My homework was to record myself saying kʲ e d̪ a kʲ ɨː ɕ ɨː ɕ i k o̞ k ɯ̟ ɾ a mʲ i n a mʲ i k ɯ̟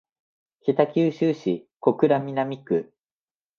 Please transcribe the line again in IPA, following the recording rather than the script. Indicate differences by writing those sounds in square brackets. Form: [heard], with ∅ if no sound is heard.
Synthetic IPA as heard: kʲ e [t̪] a kʲ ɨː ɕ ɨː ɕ i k o̞ k ɯ̟ ɾ a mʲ i n a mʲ i k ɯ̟